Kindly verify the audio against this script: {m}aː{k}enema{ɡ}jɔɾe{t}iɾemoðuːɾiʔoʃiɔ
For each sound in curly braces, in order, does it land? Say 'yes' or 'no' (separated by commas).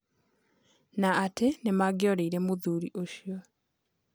no, no, yes, no